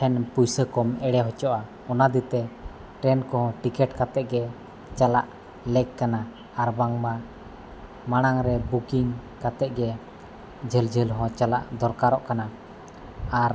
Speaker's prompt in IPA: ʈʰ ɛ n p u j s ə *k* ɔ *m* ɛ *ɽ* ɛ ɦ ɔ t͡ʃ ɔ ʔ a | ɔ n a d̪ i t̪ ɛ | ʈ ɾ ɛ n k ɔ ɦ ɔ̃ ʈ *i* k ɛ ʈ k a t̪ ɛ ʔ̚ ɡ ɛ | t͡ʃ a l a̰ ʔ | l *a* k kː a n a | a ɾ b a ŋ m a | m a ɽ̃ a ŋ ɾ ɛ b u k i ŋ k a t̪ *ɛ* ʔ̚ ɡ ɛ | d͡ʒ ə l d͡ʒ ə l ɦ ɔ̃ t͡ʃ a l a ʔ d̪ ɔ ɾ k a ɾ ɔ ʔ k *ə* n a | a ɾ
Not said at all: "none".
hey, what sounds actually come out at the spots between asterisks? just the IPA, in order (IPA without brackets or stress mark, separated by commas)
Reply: k, m, ɽ, i, ɛ, ɛ, a